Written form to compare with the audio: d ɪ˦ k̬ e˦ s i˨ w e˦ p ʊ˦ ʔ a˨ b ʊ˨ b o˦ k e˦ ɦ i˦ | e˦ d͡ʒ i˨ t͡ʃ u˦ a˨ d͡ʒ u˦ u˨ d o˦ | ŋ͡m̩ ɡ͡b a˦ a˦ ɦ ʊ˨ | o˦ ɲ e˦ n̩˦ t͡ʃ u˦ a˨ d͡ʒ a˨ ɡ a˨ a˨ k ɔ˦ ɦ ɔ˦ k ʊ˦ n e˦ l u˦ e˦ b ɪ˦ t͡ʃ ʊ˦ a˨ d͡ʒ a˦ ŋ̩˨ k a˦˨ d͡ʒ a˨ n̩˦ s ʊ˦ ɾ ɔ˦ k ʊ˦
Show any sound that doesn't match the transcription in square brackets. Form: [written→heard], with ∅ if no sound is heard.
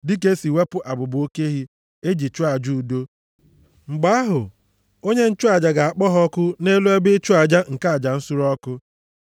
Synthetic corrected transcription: d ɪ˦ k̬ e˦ s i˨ w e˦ p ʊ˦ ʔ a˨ b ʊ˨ b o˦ k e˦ ɦ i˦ | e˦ d͡ʒ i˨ t͡ʃ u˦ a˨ d͡ʒ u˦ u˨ d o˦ | ŋ͡m̩ ɡ͡b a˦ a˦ ɦ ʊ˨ | o˦ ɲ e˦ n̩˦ t͡ʃ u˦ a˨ d͡ʒ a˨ ɡ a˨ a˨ [k→k͡p] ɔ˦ ɦ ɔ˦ k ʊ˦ n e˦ l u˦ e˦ b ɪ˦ t͡ʃ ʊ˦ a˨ d͡ʒ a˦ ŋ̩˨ k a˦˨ d͡ʒ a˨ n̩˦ s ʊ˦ ɾ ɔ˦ k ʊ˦

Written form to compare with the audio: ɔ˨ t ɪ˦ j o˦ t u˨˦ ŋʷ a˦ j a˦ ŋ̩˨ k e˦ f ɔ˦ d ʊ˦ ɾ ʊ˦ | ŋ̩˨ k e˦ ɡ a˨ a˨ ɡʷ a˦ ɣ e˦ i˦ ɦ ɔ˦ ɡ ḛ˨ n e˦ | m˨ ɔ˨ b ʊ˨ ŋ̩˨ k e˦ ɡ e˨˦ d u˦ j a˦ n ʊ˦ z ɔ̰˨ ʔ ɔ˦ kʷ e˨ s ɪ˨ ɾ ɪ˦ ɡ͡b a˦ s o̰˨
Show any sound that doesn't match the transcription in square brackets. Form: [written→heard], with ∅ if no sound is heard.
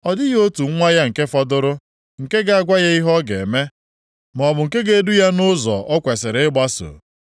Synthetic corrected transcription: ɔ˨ [t→d] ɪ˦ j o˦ t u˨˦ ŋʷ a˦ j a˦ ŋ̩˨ k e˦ f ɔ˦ d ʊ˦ ɾ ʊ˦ | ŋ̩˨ k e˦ ɡ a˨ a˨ ɡʷ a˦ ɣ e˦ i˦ ɦ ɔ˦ ɡ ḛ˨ [n→m] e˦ | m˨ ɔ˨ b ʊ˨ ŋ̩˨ k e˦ ɡ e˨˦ d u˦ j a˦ n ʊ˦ z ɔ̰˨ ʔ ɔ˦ kʷ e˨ s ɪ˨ ɾ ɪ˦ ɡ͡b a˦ s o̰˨

